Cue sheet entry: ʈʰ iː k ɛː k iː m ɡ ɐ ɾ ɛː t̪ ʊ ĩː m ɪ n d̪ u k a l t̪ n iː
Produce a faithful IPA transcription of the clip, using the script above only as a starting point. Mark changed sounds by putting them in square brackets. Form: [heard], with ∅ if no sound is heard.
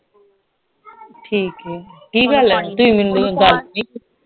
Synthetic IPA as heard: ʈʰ iː k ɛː k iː [∅] ɡ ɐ [l] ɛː t̪ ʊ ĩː m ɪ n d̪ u [ɡ] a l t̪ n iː